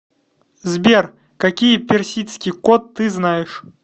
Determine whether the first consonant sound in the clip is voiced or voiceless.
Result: voiced